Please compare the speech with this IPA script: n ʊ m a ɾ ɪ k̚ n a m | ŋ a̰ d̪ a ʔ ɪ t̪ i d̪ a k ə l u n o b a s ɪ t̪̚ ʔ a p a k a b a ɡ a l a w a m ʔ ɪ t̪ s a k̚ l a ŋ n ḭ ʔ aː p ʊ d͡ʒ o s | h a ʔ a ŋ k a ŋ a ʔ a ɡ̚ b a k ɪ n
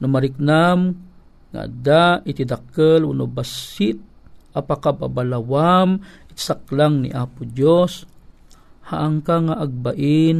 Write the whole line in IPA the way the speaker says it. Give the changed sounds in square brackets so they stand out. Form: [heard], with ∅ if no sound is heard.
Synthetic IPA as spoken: n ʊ m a ɾ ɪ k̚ n a m | ŋ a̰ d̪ a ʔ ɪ t̪ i d̪ a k ə l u n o b a s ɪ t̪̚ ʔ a p a k a b a [b] a l a w a m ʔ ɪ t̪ s a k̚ l a ŋ n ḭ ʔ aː p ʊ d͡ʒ o s | h a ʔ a ŋ k a ŋ a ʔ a ɡ̚ b a [ʔ] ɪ n